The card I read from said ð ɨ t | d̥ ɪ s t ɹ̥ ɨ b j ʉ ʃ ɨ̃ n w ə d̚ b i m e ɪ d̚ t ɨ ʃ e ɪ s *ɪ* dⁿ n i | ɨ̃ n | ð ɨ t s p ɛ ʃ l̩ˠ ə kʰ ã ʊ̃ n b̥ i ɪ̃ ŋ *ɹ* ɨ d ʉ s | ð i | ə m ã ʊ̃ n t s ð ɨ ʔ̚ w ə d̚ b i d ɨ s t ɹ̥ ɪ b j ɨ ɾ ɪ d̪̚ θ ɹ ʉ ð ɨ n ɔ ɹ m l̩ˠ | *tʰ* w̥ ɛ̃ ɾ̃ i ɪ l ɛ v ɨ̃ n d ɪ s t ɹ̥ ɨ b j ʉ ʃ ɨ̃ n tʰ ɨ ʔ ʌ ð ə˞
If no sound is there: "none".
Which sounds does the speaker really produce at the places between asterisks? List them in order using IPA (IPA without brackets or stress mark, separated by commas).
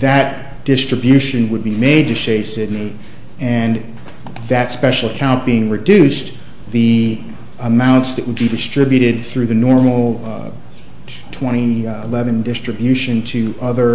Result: ɪ, ɹ, tʰ